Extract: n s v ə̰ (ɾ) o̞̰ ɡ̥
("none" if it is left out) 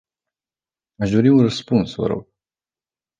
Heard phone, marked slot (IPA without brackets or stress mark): ɾ